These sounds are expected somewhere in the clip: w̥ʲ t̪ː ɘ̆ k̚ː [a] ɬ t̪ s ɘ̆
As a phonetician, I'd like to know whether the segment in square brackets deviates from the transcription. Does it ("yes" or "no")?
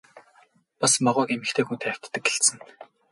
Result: yes